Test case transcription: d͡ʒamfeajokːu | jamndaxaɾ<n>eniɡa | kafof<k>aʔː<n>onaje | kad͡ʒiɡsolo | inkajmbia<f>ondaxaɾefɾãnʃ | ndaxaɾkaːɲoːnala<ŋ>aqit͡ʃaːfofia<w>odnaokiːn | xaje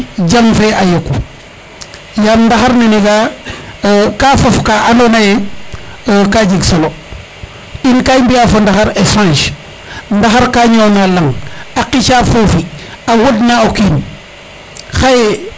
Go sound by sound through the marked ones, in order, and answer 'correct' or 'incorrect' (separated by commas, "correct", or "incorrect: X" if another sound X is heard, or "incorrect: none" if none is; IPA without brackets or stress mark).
correct, correct, correct, correct, correct, correct